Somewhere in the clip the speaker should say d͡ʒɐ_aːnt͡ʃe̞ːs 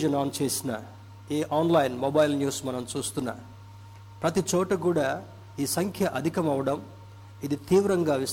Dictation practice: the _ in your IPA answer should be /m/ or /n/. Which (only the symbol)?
n